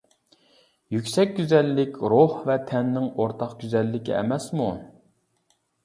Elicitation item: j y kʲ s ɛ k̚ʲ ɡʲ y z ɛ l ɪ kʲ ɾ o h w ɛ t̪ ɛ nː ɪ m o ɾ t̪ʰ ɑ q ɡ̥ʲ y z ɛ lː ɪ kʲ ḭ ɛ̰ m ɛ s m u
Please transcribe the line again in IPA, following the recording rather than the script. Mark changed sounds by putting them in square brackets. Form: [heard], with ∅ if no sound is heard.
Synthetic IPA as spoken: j y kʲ s ɛ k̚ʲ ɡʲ y z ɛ [lː] ɪ kʲ ɾ o h [v] ɛ [t̪ʰ] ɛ nː ɪ [ŋ] o ɾ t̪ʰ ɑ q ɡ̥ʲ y z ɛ lː ɪ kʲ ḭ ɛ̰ m ɛ s m u